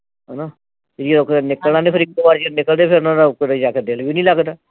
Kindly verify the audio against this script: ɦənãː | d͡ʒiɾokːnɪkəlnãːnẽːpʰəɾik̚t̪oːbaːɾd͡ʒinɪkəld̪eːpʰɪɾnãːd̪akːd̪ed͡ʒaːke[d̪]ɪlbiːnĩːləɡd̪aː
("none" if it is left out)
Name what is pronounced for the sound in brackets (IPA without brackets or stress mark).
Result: d̪